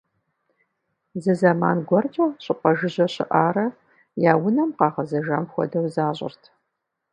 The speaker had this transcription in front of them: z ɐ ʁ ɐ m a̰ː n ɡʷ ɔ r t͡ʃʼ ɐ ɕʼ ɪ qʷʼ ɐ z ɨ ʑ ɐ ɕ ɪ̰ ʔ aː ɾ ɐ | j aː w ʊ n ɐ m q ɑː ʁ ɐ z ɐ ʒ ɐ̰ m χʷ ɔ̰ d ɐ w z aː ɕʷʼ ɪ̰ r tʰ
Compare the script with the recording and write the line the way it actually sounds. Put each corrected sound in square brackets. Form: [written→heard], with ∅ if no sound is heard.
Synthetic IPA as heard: z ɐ [ʁ→z] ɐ m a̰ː n ɡʷ ɔ r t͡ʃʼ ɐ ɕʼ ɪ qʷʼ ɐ [z→ʒ] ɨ ʑ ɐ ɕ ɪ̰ ʔ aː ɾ ɐ | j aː w ʊ n ɐ m q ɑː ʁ ɐ z ɐ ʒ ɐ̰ m [χʷ→xʷ] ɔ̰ d ɐ w z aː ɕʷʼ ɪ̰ r tʰ